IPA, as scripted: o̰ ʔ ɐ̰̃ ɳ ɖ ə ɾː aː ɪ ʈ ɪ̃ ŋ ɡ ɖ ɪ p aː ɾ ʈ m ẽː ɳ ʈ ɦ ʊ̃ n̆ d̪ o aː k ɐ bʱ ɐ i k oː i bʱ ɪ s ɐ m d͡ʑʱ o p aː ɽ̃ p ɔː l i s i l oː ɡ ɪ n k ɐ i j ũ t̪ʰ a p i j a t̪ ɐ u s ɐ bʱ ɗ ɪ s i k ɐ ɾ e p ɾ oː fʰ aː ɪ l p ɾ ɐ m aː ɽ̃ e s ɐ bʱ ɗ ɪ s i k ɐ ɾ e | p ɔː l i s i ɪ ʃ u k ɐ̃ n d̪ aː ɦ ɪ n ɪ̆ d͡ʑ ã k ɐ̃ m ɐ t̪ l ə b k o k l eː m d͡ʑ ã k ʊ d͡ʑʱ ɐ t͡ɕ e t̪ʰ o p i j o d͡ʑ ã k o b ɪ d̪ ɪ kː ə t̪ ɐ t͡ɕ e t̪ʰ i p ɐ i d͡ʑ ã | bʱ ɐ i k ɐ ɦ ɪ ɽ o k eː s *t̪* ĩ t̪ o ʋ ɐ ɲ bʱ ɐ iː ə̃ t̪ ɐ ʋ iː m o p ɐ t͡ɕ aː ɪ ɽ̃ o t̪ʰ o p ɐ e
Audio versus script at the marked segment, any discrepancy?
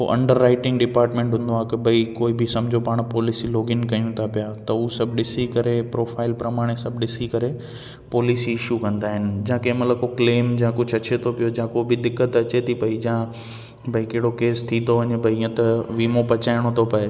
yes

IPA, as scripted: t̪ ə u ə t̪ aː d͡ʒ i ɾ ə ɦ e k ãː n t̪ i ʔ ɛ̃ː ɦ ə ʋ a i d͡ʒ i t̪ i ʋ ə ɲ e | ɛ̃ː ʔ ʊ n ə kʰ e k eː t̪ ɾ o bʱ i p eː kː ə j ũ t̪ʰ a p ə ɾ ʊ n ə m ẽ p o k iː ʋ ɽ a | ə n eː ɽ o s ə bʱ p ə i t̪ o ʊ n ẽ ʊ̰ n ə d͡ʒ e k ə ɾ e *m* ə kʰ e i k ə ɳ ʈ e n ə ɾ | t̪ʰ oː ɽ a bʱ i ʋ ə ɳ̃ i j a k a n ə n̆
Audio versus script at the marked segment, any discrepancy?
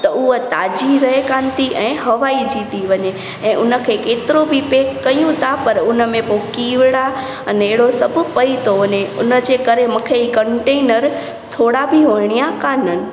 no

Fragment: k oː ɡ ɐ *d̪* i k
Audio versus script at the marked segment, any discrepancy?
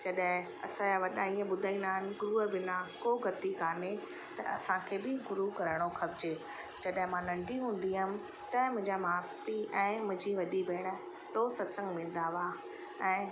yes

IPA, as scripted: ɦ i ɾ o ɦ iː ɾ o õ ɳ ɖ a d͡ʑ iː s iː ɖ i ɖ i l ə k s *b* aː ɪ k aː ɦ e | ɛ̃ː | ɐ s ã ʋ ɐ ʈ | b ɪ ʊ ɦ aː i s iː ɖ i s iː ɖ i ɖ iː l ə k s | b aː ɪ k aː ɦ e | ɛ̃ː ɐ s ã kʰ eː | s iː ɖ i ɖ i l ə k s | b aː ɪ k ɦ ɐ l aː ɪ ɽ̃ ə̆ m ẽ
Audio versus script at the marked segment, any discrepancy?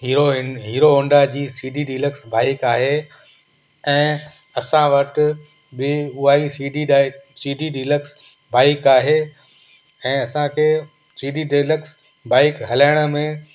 no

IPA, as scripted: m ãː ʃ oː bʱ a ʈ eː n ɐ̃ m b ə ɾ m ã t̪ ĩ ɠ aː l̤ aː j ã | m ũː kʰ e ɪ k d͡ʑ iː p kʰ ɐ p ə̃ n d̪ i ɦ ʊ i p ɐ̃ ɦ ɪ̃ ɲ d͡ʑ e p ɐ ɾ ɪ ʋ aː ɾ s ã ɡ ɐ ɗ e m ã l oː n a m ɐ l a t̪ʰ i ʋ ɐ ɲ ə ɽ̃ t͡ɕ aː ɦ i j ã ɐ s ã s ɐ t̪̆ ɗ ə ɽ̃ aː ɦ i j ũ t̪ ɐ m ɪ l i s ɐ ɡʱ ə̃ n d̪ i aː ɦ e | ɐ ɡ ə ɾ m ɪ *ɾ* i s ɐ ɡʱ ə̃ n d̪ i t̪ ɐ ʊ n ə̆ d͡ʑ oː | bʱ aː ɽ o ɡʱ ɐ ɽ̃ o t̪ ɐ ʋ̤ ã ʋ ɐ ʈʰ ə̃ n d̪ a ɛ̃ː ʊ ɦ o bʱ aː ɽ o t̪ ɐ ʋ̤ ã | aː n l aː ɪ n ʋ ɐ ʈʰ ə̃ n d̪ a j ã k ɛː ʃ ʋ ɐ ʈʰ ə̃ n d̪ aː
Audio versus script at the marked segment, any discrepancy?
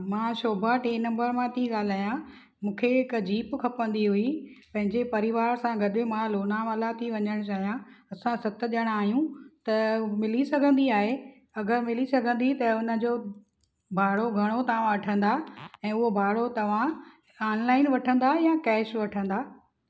yes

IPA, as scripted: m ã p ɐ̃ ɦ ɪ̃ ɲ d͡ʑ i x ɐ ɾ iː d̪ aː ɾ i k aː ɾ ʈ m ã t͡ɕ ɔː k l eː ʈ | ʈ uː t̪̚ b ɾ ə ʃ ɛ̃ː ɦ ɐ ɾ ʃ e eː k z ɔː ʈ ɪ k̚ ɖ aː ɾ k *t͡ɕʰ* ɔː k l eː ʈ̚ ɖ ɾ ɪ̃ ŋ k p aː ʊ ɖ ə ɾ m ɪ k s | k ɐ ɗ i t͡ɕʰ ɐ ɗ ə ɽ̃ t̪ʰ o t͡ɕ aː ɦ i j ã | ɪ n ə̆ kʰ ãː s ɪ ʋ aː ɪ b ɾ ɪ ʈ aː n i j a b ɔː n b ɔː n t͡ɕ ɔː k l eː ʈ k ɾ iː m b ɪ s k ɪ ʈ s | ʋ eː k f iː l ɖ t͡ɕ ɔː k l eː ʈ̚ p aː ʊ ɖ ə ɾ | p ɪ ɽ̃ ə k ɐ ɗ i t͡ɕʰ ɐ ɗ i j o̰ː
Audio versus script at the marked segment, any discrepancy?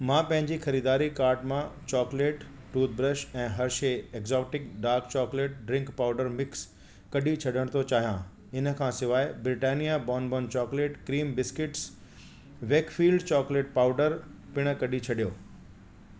yes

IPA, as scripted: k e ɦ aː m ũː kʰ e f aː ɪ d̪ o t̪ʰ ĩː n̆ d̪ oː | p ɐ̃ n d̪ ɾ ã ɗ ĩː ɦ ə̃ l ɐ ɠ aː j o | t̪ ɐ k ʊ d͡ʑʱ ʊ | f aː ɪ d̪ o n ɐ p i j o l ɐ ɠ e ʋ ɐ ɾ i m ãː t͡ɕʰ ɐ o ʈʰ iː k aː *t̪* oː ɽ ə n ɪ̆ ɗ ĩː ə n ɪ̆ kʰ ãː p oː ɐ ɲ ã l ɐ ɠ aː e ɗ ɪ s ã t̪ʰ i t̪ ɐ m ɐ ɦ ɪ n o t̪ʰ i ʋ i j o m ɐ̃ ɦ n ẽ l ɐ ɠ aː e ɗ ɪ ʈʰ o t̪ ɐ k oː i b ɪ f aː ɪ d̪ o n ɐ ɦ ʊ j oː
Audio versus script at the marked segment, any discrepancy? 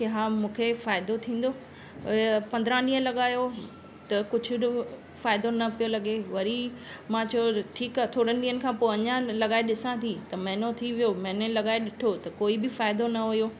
yes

